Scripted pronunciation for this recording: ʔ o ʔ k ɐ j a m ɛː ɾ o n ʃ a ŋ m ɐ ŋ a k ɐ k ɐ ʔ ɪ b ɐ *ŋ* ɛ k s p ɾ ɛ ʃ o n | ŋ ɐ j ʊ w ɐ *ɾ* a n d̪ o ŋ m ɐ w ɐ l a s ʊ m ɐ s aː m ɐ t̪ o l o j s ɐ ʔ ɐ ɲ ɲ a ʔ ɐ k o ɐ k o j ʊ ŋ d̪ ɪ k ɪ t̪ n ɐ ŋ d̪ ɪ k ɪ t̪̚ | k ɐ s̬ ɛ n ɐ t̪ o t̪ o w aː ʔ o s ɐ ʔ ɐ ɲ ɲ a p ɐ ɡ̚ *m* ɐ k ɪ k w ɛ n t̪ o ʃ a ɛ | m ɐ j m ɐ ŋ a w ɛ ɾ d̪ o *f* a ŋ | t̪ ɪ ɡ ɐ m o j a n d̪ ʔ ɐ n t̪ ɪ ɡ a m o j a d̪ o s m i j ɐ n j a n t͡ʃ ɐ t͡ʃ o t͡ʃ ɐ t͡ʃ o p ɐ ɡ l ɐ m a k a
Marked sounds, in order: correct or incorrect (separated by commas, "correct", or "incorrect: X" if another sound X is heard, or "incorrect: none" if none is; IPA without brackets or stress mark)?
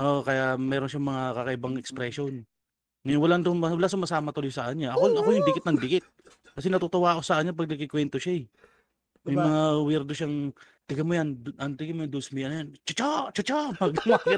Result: correct, incorrect: l, incorrect: n, incorrect: ʃ